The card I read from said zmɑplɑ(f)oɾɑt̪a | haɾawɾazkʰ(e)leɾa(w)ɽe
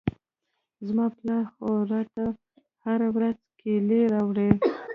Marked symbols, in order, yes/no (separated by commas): no, yes, yes